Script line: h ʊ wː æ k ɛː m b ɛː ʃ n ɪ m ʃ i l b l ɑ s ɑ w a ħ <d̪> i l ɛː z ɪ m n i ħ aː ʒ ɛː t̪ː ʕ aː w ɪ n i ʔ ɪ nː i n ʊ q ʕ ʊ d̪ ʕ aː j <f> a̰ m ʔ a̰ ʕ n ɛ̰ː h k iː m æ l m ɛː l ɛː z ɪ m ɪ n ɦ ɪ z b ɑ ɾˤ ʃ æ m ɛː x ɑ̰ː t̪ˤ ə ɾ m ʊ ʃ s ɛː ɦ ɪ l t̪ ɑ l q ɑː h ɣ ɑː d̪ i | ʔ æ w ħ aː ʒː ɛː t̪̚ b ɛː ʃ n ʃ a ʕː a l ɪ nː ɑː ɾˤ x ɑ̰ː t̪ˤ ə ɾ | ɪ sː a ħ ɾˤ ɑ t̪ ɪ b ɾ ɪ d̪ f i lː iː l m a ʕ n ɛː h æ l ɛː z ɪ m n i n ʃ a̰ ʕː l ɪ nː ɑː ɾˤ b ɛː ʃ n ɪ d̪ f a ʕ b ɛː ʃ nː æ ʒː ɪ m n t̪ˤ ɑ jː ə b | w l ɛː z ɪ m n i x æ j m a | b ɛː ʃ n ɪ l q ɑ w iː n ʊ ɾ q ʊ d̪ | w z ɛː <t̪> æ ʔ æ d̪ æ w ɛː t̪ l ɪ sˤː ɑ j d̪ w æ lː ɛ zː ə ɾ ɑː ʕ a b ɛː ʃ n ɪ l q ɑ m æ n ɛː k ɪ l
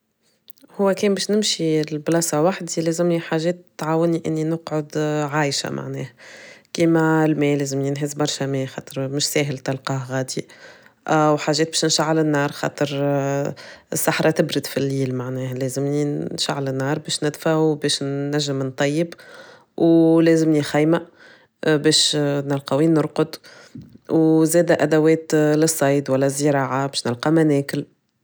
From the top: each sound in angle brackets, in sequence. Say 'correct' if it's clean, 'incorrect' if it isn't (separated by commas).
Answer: correct, incorrect, incorrect